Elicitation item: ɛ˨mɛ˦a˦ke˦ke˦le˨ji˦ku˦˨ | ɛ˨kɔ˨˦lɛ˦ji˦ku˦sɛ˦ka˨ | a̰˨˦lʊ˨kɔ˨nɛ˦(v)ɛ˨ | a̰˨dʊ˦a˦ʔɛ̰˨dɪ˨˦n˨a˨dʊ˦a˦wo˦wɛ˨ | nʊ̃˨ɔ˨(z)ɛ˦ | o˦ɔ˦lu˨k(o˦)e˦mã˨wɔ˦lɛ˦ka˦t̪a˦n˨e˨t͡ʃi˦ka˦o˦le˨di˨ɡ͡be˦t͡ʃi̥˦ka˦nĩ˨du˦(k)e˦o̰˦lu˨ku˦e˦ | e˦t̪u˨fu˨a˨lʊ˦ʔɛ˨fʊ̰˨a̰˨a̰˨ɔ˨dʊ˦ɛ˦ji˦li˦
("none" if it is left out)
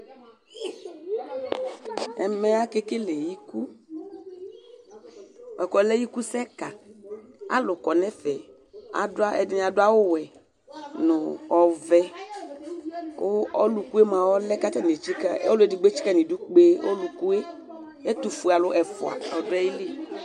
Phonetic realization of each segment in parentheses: f, v, u˦, k͡p

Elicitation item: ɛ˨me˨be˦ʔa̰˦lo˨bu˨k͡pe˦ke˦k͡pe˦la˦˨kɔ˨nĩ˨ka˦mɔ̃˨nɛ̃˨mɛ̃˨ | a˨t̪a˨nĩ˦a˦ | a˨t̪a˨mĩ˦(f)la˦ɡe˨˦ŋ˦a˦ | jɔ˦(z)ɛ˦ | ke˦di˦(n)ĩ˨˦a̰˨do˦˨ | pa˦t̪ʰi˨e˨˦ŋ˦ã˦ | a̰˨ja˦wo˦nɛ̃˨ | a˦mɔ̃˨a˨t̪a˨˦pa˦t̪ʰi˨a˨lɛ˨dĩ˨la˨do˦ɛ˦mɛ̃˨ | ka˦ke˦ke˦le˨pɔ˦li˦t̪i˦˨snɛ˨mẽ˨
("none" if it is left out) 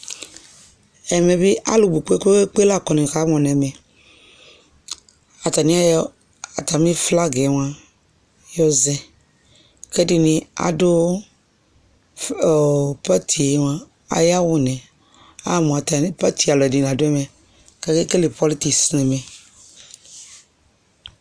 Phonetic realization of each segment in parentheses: f, z, n

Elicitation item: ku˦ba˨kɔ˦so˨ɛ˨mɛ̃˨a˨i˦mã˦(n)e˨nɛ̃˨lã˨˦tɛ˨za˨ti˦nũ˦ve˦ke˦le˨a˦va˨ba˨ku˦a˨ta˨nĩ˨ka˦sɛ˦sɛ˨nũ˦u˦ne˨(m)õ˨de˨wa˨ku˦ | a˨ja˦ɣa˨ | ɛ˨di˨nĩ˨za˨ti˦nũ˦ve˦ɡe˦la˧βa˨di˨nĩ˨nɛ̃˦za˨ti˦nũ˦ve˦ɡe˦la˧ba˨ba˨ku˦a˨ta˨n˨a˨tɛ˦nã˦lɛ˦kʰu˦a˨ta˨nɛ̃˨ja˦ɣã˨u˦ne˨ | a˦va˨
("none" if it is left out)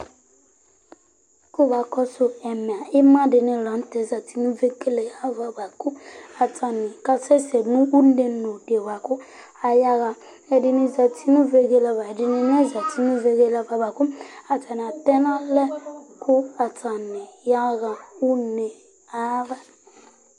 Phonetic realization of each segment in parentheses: d, n

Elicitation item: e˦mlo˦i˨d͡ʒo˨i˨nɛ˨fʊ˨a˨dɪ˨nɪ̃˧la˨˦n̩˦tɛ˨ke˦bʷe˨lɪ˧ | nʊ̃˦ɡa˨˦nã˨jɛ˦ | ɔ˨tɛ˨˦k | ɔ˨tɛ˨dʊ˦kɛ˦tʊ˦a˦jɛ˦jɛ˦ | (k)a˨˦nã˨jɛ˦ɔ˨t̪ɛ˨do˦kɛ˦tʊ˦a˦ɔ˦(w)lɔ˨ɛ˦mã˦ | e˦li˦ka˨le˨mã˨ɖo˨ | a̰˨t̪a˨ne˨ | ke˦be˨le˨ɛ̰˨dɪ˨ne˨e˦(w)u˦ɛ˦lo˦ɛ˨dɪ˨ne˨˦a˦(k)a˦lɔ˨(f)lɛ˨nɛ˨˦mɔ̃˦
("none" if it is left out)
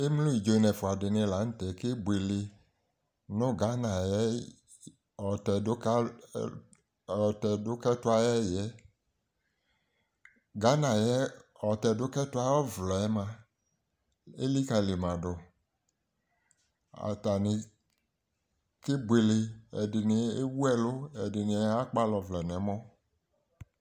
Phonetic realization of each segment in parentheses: ɡ, v, w, k͡p, v

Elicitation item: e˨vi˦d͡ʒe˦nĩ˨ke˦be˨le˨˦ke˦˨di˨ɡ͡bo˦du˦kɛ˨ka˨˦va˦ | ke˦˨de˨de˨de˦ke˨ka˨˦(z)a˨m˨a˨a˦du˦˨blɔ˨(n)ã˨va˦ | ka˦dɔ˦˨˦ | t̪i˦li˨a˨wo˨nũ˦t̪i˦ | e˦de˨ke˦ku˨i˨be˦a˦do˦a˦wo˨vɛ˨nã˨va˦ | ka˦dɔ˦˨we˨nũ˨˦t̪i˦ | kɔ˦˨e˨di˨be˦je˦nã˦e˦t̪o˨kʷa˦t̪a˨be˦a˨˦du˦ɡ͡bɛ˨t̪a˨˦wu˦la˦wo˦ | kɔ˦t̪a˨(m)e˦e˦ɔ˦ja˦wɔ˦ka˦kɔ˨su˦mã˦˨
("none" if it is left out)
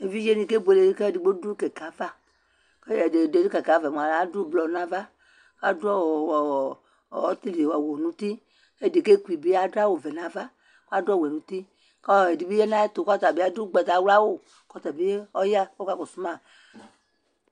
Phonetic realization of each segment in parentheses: v, n, b

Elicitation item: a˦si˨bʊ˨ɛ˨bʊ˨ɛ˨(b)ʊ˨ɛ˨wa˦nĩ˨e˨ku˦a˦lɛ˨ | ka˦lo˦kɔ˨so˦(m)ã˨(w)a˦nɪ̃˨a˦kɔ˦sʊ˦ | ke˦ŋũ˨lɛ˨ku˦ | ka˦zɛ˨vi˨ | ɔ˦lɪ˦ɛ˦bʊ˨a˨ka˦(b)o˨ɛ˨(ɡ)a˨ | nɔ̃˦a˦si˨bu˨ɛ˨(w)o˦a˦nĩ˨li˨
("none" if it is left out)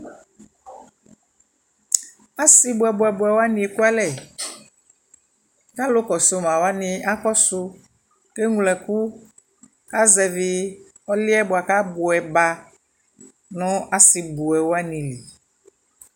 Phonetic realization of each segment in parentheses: b, m, w, b, b, w

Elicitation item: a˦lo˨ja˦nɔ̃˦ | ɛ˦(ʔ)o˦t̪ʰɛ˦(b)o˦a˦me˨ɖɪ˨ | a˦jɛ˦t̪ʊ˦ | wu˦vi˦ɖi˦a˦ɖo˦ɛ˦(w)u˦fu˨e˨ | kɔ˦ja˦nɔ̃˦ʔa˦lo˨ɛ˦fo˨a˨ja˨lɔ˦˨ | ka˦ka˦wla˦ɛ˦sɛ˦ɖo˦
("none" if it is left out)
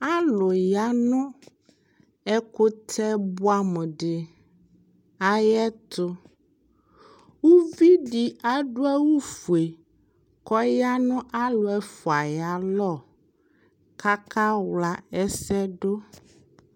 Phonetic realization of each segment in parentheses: k, b, w

